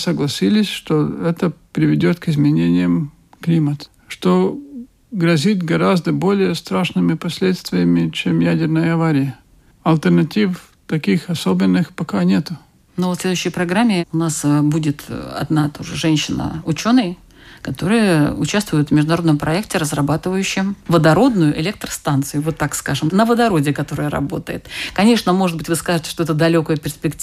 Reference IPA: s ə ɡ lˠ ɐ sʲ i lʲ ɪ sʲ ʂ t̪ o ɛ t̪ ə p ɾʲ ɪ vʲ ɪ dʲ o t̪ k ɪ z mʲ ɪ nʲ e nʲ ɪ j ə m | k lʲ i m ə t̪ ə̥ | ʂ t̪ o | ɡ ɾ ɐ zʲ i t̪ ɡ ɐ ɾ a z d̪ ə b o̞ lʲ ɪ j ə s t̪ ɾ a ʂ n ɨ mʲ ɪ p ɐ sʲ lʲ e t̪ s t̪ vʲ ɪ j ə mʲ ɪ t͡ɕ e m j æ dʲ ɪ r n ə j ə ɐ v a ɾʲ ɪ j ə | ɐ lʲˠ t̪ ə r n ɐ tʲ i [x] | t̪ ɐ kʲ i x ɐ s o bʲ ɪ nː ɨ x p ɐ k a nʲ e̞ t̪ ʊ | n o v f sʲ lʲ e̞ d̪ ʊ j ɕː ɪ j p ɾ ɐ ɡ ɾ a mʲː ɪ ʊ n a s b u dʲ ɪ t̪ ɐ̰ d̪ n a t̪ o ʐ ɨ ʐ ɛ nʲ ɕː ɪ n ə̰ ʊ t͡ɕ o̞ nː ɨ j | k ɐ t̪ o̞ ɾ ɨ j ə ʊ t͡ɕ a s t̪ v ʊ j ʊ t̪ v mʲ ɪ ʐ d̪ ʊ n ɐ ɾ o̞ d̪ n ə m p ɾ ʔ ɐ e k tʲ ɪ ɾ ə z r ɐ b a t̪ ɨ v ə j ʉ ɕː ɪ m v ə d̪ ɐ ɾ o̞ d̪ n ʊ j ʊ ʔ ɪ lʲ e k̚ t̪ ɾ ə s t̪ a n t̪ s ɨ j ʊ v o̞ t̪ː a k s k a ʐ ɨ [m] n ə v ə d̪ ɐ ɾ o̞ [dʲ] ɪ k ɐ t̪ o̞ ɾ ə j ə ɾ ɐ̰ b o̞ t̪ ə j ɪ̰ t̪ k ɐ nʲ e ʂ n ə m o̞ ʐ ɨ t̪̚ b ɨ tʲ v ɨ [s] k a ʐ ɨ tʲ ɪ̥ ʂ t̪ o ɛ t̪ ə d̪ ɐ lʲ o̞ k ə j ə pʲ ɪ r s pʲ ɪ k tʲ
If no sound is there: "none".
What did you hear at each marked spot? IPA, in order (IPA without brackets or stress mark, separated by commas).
f, m, dʲ, s